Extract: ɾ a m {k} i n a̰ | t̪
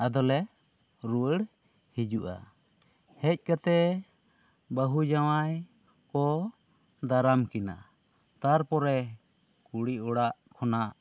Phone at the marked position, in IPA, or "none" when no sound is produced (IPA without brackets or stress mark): k